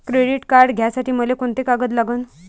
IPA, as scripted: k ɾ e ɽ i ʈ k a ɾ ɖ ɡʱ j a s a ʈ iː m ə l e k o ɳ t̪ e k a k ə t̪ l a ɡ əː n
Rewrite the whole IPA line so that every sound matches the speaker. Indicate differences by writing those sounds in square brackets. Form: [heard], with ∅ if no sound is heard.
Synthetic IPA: k ɾ e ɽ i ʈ k a ɾ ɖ ɡʱ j a s a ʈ iː m ə l e k o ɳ t̪ e k a [ɡ] ə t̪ l a ɡ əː n